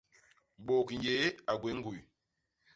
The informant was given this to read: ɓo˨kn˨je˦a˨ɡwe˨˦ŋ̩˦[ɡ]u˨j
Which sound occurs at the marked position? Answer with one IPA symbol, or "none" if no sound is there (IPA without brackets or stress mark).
ɡ